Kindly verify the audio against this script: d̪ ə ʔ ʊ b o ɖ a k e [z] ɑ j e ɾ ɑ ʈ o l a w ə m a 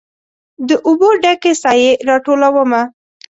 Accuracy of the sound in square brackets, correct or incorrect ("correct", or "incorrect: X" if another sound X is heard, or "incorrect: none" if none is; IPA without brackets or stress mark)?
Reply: incorrect: s